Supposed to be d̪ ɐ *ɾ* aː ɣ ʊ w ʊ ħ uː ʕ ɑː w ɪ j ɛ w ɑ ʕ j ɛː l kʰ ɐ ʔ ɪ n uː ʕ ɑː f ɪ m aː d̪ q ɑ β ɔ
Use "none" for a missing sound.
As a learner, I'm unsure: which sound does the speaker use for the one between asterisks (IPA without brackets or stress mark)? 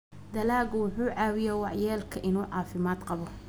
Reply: l